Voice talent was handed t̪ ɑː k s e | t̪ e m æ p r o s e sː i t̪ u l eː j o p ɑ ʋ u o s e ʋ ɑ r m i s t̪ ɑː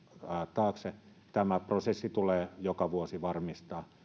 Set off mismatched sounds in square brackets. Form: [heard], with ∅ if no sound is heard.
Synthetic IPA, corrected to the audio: t̪ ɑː k s e | t̪ [æ] m æ p r o s e sː i t̪ u l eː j o [k] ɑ ʋ u o s [i] ʋ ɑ r m i s t̪ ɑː

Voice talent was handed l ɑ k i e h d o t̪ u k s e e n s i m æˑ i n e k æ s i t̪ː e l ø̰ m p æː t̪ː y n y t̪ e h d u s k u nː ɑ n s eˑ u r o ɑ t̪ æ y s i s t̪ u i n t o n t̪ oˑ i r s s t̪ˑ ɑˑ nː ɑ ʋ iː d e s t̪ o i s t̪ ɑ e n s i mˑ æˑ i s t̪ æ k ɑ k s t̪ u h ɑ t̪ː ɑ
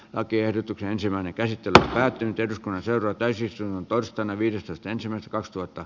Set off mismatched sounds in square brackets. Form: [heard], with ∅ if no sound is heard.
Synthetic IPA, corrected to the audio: l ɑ k i e h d o t̪ u k s e e n s i m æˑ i n e k æ s i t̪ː e l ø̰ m p æː t̪ː y n y t̪ e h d u s k u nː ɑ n s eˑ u r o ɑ t̪ æ y s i s t̪ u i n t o n t̪ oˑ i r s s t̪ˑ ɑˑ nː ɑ ʋ iː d e s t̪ o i s t̪ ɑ e n s i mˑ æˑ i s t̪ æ k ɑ k s t̪ u h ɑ t̪ː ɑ

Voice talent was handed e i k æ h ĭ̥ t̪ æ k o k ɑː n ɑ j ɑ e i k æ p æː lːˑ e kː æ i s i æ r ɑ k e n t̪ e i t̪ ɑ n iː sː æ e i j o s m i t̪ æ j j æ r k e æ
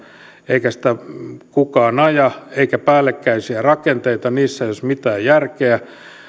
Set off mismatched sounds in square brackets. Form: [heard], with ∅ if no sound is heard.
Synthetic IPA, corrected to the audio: e i k æ [s] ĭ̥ t̪ æ k [u] k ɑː n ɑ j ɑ e i k æ p æː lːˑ e kː æ i s i æ r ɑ k e n t̪ e i t̪ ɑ n iː sː æ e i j o s m i t̪ [æː] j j æ r k e æ

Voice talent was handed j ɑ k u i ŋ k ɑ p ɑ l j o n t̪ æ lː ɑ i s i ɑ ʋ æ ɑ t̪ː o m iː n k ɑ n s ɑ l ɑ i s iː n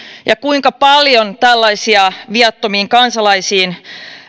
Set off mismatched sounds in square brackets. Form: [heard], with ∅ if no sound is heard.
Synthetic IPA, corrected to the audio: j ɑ k u i ŋ k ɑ p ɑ l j o n t̪ æ lː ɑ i s i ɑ ʋ [i] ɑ t̪ː o m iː [ŋ] k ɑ n s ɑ l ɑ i s iː n

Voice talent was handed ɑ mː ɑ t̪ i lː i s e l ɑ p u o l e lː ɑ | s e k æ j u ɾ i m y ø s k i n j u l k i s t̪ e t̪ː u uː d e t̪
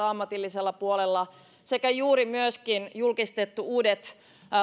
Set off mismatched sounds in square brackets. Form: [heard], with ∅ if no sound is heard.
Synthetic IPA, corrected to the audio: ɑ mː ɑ t̪ i lː i s e [lː] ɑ p u o l e lː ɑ | s e k æ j [uː] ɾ i m y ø s k i n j u l k i s t̪ e t̪ː u uː d e t̪

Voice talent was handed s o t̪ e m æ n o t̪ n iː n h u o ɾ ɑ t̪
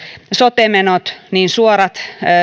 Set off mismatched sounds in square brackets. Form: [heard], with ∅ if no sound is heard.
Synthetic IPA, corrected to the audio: s o t̪ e m [e] n o t̪ n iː n [s] u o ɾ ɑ t̪

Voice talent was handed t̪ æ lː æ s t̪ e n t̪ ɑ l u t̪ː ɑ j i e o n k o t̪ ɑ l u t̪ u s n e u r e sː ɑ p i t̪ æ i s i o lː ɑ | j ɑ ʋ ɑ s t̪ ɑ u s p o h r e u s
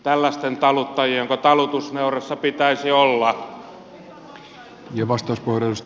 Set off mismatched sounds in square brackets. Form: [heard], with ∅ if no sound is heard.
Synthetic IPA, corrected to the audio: t̪ æ lː æ s t̪ e n t̪ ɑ l u t̪ː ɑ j i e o [ŋ] k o t̪ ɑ l u t̪ u s n e u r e sː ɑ p i t̪ æ i s i o lː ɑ | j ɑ ʋ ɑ s t̪ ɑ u s p o h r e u s

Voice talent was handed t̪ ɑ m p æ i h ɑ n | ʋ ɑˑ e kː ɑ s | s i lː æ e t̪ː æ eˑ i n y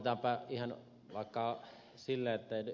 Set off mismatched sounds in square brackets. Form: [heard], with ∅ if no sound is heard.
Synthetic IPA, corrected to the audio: t̪ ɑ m p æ i h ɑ n | ʋ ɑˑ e kː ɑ [∅] | s i lː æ e t̪ː æ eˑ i n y

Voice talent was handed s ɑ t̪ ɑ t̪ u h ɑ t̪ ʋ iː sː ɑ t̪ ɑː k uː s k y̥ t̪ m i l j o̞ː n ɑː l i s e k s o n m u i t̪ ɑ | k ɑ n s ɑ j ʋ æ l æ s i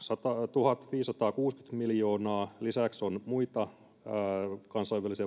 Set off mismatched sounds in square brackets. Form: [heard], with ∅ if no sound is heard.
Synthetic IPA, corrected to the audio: s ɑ t̪ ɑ t̪ u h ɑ t̪ ʋ iː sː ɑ t̪ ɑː k uː s k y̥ t̪ m i l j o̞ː n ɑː l i s [æ] k s o n m u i t̪ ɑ | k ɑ n s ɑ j ʋ æ l [i] s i

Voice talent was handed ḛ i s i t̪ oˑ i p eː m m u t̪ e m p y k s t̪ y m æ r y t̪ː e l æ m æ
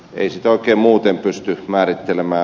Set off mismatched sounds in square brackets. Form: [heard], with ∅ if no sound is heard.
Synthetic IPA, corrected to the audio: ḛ i s i t̪ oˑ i [k] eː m m [uː] t̪ e m p y [∅] s t̪ y m [æː] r [i] t̪ː e l [e] m [æː]

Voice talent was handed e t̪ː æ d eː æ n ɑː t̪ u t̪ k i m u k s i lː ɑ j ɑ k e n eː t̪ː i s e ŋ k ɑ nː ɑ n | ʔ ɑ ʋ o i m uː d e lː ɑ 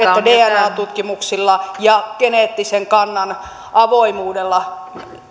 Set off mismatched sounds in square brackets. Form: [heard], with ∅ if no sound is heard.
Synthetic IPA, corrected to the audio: e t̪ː æ d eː æ n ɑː t̪ u t̪ k i m u k s i lː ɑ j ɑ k e n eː t̪ː i s e ŋ k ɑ nː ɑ n | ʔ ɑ ʋ o i m uː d e lː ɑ

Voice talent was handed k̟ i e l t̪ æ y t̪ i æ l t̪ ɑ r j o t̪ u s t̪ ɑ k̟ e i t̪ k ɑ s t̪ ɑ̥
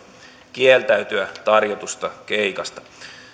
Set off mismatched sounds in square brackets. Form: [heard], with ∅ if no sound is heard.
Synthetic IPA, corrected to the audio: k̟ i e l t̪ æ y t̪ [y] æ [∅] t̪ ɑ r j o t̪ u s t̪ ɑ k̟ e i [∅] k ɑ s t̪ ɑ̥

